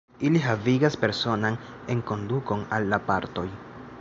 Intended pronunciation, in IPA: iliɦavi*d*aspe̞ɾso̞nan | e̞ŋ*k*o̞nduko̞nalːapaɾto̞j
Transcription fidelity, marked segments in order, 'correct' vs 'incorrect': incorrect: ɡ, correct

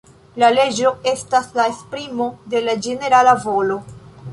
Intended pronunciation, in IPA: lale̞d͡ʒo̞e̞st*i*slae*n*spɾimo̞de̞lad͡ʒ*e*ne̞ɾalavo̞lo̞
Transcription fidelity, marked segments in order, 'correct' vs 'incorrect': incorrect: a, incorrect: none, correct

